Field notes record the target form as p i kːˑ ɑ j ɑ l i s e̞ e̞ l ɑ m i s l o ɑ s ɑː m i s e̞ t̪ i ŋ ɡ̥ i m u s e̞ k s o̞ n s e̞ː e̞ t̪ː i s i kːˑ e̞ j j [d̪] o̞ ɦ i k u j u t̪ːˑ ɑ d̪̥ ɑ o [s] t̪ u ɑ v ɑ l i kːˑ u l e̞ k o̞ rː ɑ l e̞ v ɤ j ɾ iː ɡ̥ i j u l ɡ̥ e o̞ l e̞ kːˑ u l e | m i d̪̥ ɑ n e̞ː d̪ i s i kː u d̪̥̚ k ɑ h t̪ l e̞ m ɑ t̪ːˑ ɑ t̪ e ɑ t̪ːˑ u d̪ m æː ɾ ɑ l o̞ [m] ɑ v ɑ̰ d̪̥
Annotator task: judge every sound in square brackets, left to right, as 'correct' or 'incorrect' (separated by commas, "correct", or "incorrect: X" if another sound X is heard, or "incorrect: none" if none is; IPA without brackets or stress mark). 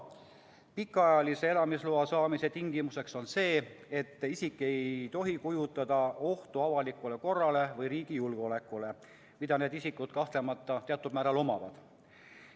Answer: incorrect: t̪, incorrect: h, correct